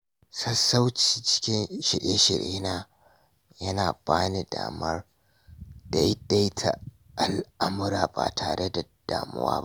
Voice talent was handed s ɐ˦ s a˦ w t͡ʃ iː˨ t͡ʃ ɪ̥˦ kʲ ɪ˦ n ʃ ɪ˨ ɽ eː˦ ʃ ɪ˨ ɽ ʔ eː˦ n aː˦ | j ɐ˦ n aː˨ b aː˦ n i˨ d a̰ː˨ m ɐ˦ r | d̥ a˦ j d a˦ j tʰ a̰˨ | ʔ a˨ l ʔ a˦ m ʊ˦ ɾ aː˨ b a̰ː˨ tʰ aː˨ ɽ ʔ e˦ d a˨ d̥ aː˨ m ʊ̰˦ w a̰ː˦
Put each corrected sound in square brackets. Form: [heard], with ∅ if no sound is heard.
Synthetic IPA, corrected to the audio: s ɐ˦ s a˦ w t͡ʃ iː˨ t͡ʃ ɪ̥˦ kʲ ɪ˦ n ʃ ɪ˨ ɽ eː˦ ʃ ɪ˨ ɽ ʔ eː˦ n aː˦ | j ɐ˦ n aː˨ b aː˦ n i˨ d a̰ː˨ m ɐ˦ r | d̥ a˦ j d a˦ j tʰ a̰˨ | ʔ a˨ l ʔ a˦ m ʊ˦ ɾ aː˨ b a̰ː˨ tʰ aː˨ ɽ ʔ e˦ d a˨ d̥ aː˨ m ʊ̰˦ w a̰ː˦